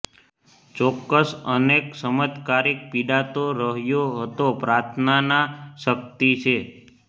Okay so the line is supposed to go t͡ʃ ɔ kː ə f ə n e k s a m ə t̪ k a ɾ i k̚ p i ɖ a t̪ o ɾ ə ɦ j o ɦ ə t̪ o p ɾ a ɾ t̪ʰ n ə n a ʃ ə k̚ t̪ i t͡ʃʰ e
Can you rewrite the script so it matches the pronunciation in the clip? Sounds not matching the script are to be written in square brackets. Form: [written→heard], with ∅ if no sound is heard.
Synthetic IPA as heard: t͡ʃ ɔ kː ə [f→s] ə n e k s [a→ə] m ə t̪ k a ɾ i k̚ p i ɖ a t̪ o ɾ ə ɦ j o ɦ ə t̪ o p ɾ a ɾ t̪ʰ n [ə→a] n a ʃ ə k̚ t̪ i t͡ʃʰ e